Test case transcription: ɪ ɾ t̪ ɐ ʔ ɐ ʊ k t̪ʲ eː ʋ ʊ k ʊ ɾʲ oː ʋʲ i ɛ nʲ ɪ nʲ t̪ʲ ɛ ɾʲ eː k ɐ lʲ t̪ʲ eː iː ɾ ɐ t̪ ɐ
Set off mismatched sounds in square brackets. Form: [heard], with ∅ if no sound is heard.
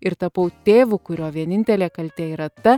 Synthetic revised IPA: ɪ ɾ t̪ ɐ [p] ɐ ʊ [∅] t̪ʲ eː ʋ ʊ k ʊ ɾʲ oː ʋʲ i ɛ nʲ ɪ nʲ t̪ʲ ɛ [lʲ] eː k ɐ lʲ t̪ʲ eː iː ɾ ɐ t̪ ɐ